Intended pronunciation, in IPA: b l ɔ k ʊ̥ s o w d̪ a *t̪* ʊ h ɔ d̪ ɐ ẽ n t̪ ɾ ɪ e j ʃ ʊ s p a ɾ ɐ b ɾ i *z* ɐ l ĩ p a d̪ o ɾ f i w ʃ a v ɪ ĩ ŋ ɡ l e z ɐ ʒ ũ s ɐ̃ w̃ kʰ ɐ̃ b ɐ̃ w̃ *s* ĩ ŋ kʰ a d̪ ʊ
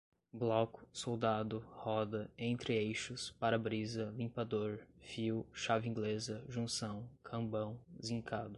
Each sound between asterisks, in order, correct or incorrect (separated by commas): incorrect, correct, incorrect